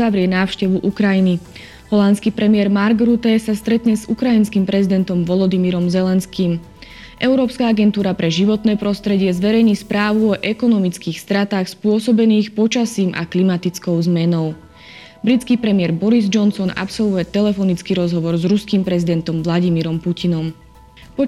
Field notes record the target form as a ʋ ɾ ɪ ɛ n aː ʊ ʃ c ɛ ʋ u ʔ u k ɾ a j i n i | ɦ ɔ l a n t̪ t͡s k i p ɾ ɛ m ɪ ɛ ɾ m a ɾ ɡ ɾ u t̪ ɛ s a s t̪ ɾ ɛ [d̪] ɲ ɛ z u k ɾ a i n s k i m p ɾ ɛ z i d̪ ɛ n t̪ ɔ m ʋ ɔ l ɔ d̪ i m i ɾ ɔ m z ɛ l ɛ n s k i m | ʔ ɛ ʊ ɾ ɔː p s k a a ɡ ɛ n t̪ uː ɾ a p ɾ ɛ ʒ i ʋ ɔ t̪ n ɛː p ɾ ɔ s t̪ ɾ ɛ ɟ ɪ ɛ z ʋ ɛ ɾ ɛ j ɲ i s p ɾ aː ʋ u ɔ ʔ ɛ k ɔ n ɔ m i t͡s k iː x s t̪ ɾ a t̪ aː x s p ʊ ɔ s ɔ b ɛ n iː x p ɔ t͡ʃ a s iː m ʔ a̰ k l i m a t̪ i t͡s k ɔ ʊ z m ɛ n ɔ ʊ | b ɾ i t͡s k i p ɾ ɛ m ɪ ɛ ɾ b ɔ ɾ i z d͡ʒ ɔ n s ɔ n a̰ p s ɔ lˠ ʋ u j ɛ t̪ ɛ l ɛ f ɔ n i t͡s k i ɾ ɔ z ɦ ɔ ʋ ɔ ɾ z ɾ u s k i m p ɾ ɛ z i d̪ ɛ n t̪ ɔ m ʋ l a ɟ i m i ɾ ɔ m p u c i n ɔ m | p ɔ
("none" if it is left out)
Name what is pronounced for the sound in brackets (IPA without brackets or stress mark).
t̪